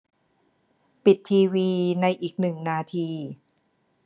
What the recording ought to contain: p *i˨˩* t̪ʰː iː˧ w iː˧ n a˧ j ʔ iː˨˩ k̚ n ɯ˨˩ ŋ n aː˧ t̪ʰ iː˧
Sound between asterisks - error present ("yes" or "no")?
no